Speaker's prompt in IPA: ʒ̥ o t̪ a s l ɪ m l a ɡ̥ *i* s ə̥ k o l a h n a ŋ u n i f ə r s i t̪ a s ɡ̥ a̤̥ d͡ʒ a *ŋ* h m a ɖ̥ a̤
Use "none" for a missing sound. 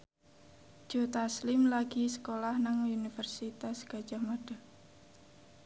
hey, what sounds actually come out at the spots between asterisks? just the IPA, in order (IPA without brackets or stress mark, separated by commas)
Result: i, none